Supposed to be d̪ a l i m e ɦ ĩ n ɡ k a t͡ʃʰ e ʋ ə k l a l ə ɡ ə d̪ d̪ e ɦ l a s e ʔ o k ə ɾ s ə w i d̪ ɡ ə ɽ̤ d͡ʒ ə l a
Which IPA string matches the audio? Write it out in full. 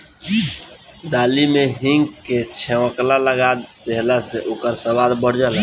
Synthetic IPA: d̪ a l i m e ɦ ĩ ŋ ɡ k e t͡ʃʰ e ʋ ə k l a l ə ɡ a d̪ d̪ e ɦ l a s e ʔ o k ə ɾ s ə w a d̪ b ə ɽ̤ d͡ʒ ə l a